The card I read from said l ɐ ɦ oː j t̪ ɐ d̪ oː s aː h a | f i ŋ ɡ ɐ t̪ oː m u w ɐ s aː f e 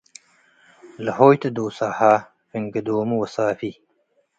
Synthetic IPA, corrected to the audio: l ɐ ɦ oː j t̪ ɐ d̪ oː s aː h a | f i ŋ ɡ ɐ d̪ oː m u w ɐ s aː f i